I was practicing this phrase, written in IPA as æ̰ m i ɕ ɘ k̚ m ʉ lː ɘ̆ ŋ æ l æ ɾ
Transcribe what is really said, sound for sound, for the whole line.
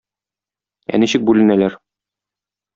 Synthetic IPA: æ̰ n i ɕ ɘ k̚ b ʉ l ɘ̆ n æ l æ ɾ